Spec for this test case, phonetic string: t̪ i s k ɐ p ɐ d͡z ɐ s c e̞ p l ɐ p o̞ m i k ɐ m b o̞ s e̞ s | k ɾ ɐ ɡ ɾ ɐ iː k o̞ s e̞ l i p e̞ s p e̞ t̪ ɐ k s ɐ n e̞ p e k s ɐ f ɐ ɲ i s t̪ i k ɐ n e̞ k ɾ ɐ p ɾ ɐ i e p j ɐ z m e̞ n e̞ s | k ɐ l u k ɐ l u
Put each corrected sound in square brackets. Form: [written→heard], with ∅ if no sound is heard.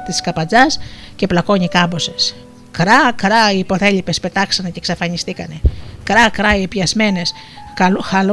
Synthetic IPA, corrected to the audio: t̪ i s k ɐ p ɐ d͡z ɐ s c e̞ p l ɐ [p→k] o̞ [m→ɲ] i k ɐ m b o̞ s e̞ s | k ɾ ɐ [ɡ→k] ɾ ɐ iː [k→p] o̞ [s→θ] e̞ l i p e̞ s p e̞ t̪ ɐ k s ɐ n e̞ [p→c] e k s ɐ f ɐ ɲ i s t̪ i k ɐ n e̞ k ɾ ɐ [p→k] ɾ ɐ i e p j ɐ z m e̞ n e̞ s | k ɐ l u [k→x] ɐ l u